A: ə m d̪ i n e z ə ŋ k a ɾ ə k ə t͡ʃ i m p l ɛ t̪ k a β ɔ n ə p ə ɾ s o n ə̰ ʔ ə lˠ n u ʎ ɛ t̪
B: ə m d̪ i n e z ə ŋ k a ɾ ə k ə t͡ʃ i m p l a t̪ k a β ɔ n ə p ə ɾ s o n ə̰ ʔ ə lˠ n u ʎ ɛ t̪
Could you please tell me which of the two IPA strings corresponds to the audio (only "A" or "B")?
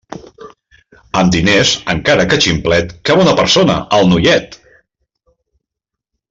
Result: A